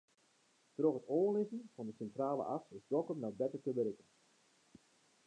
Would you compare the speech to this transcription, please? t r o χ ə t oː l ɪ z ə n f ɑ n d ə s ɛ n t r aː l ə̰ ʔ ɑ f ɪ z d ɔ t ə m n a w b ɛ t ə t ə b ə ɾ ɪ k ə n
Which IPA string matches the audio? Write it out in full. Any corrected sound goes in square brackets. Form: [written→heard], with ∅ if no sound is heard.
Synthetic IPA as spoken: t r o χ ə t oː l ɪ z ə n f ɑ n d ə s ɛ n t r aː l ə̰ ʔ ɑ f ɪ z d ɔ [t→k] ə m n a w b ɛ t ə t ə b ə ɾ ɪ k ə n